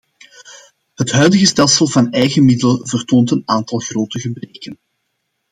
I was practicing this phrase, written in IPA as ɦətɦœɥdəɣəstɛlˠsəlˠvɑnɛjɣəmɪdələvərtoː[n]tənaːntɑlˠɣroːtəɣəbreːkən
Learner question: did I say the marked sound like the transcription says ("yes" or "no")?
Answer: yes